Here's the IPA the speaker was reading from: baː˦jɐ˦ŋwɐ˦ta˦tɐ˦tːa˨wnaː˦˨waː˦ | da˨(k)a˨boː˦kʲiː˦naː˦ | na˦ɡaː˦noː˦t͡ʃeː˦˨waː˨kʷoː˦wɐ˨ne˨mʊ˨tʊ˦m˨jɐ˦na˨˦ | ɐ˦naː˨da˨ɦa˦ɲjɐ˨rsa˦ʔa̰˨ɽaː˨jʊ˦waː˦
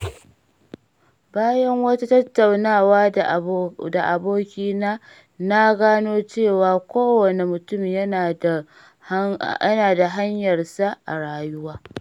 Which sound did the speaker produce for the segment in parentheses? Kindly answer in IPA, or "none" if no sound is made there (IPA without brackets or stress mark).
ʔ